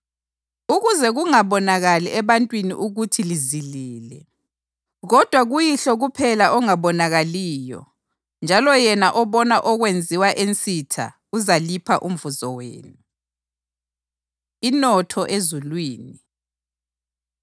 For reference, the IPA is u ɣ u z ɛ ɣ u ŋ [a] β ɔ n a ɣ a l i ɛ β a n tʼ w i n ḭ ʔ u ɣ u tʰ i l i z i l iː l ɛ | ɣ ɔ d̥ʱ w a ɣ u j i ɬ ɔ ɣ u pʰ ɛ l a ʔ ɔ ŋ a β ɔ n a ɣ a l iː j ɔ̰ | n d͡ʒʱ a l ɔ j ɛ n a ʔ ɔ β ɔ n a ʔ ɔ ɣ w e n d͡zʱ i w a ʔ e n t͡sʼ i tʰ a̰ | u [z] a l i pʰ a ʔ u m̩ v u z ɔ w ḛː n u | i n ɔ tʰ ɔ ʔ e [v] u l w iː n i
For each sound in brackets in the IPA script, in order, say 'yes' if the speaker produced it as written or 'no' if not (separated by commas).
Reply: yes, yes, no